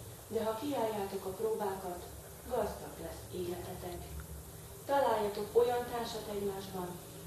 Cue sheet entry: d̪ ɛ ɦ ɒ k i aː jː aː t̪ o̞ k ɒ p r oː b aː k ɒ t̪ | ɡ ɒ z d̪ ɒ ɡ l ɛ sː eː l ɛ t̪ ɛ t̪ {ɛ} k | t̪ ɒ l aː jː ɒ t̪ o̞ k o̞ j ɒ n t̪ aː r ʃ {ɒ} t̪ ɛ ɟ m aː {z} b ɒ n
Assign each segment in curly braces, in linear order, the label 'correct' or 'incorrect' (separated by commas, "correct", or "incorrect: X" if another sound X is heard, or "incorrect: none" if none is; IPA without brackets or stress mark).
correct, correct, incorrect: ʒ